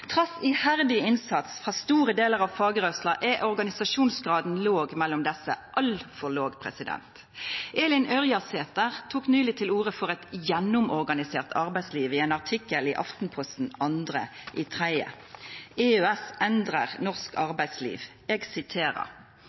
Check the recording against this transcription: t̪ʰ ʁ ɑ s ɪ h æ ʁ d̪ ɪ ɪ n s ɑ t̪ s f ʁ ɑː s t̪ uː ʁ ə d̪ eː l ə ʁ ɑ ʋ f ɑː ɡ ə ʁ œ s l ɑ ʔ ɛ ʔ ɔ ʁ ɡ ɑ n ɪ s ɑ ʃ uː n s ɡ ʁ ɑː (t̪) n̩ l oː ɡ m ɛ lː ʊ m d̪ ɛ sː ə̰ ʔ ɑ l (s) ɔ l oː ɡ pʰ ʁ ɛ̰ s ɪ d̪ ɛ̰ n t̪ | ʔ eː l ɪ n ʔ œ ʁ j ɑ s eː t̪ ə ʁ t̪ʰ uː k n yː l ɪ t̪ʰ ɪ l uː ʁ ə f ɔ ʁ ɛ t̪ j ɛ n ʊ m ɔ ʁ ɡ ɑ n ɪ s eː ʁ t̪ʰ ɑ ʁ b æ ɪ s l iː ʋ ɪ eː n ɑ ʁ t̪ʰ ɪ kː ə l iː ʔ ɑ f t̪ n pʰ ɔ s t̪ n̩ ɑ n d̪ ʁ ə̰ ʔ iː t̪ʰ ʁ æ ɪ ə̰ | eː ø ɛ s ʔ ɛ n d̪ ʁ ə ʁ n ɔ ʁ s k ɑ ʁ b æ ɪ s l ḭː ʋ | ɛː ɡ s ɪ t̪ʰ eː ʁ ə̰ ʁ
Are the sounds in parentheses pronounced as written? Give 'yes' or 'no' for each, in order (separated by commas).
no, no